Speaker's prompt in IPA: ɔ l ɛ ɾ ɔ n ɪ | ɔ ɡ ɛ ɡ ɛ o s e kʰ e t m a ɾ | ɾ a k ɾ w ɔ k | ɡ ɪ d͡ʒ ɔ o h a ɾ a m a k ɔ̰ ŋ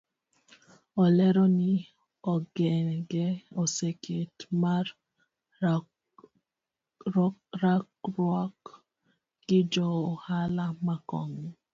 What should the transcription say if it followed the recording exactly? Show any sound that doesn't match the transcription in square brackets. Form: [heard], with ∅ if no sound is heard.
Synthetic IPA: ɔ l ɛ ɾ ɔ n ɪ | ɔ ɡ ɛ ɡ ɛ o s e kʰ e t m a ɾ | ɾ a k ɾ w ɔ k | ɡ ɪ d͡ʒ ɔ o h a [l] a m a k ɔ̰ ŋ

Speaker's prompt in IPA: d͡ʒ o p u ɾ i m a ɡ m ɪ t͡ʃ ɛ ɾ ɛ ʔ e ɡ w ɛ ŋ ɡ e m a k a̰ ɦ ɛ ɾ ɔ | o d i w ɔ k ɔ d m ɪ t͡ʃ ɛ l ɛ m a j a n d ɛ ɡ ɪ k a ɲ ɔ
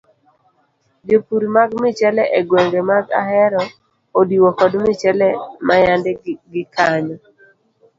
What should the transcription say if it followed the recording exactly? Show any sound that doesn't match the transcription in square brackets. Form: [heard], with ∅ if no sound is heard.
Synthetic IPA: d͡ʒ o p u ɾ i m a ɡ m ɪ t͡ʃ ɛ [l] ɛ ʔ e ɡ w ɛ ŋ ɡ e m a [ɡ] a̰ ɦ ɛ ɾ ɔ | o d i w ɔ k ɔ d m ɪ t͡ʃ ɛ l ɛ m a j a n d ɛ ɡ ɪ k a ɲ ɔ

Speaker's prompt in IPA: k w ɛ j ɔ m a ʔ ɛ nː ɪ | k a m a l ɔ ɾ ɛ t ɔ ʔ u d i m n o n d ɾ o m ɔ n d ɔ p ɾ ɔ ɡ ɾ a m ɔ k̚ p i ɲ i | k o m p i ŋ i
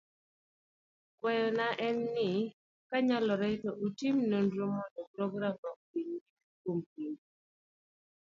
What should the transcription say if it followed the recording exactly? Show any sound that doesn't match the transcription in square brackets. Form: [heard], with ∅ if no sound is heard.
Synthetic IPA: k w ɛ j ɔ [n] a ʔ ɛ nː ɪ | k a [ɲ] a l ɔ ɾ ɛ t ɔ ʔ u [t] i m n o n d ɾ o m ɔ n d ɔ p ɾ ɔ ɡ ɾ a m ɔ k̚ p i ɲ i | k o m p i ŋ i

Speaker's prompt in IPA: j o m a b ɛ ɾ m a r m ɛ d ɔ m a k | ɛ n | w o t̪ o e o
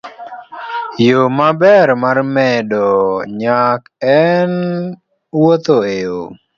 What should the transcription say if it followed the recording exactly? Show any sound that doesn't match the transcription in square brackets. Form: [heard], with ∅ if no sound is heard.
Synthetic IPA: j o m a b ɛ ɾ m a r m ɛ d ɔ [ɲ] a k | ɛ n | w o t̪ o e o

